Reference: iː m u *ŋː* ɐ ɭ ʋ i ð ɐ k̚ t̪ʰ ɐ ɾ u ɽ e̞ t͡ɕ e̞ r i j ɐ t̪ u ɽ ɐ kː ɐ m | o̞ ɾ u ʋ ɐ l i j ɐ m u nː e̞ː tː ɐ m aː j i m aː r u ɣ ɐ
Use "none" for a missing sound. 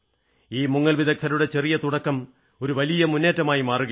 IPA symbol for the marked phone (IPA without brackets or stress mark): ŋː